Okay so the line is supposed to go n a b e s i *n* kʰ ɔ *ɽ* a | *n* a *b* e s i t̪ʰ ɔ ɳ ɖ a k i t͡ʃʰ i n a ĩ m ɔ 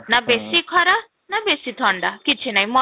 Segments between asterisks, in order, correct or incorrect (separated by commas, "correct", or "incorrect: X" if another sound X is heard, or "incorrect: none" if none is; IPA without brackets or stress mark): incorrect: none, incorrect: ɾ, correct, correct